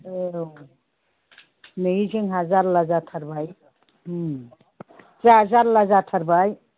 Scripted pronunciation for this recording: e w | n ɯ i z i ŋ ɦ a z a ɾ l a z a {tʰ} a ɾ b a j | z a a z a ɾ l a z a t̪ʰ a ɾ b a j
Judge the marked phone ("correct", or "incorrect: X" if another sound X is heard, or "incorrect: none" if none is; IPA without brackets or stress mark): correct